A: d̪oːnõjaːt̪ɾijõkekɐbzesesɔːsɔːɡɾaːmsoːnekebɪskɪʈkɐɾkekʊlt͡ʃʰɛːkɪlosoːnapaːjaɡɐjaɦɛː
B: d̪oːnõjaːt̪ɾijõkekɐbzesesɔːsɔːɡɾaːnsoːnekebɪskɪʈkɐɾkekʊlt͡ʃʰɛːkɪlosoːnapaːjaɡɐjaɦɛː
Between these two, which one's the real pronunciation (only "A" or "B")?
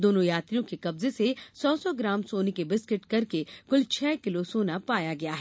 A